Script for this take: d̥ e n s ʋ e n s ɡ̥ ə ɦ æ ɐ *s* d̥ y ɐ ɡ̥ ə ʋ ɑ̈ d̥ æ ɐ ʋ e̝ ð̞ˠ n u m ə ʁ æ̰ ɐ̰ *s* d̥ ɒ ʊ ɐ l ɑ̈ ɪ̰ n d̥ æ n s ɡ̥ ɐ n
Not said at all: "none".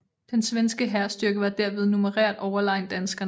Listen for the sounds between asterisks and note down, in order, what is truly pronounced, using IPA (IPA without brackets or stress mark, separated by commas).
s, none